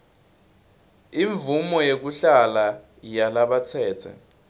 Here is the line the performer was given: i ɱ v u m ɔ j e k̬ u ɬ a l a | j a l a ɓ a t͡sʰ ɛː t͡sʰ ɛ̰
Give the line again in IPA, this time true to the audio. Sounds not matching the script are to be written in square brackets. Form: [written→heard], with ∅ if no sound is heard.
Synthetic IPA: i ɱ v u m ɔ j e k̬ u ɬ a l a | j a l a ɓ a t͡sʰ ɛː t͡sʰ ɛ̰